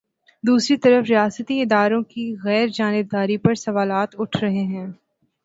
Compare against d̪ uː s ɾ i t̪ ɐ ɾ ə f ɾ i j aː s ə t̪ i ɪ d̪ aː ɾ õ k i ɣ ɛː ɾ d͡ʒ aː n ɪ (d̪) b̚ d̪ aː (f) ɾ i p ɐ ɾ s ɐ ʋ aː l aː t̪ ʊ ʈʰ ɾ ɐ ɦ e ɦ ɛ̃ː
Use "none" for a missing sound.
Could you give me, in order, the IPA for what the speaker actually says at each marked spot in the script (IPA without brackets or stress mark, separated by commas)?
none, none